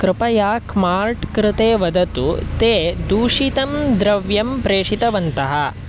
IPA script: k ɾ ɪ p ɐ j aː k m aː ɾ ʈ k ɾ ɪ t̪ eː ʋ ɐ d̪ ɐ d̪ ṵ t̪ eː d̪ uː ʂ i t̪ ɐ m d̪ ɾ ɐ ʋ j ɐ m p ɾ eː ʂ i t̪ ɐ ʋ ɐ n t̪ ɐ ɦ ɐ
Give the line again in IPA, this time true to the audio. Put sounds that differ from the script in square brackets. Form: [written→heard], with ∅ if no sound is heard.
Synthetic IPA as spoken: k ɾ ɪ p ɐ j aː k m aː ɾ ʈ k ɾ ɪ t̪ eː ʋ ɐ d̪ ɐ [d̪→t̪] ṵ t̪ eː d̪ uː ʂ i t̪ ɐ m d̪ ɾ ɐ ʋ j ɐ m p ɾ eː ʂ i t̪ ɐ ʋ ɐ n t̪ ɐ ɦ ɐ